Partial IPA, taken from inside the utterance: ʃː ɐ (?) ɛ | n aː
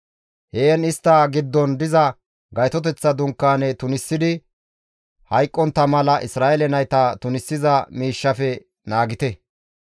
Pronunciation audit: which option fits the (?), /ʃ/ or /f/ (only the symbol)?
f